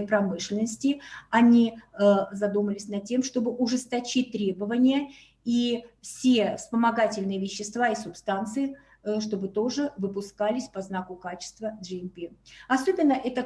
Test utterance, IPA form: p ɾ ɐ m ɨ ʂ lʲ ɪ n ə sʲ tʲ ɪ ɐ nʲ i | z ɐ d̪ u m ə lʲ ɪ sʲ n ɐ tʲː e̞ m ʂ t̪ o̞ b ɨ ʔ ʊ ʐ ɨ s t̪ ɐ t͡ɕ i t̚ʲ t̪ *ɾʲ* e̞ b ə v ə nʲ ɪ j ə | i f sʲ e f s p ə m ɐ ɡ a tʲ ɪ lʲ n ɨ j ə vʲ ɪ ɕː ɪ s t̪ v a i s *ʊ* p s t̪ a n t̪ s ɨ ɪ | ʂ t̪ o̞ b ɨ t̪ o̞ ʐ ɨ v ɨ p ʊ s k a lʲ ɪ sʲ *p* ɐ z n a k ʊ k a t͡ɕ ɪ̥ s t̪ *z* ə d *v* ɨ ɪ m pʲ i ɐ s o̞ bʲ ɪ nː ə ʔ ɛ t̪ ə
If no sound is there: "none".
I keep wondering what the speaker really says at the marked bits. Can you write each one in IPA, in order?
ɾʲ, ʊ, p, v, ʐ

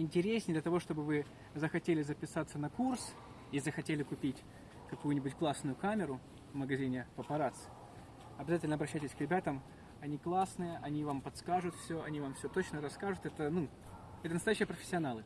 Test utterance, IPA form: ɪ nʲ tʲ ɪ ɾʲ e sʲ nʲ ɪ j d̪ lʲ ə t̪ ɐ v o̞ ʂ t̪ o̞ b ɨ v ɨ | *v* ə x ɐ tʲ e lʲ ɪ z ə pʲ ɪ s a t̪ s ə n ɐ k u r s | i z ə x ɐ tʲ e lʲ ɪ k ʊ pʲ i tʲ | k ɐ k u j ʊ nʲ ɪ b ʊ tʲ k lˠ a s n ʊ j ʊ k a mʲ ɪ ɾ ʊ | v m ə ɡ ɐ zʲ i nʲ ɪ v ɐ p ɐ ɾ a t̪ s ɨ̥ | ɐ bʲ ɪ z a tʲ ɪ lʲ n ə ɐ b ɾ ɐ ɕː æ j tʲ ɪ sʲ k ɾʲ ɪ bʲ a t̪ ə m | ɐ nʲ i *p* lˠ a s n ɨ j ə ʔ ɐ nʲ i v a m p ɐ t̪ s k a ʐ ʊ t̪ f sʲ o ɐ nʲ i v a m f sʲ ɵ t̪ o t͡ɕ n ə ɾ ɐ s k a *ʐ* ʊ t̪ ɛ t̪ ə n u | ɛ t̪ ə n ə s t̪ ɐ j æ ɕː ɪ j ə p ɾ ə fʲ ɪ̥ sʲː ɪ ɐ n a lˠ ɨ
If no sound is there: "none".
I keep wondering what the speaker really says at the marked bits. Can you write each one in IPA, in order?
z, k, ʐ

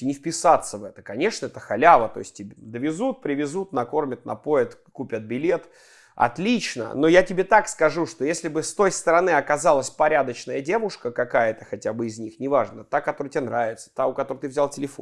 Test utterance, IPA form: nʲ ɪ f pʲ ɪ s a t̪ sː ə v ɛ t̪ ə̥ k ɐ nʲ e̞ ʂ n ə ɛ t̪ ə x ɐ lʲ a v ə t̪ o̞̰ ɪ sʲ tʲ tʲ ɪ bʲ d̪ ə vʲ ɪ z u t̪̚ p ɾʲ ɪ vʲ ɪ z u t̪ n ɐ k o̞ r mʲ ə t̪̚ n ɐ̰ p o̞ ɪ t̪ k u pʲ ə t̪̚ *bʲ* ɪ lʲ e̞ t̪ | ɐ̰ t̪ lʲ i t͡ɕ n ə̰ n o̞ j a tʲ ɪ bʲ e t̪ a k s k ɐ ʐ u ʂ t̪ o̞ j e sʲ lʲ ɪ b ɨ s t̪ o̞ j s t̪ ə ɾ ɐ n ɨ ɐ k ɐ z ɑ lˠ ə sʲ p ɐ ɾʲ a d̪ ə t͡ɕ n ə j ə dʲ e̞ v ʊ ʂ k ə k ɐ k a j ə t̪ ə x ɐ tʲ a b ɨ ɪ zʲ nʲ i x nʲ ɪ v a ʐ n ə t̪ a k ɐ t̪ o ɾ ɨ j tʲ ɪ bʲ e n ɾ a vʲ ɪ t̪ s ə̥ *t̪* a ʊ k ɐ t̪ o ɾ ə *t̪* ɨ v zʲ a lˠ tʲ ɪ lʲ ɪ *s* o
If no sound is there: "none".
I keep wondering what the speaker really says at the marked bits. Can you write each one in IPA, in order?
bʲ, t̪, t̪, f

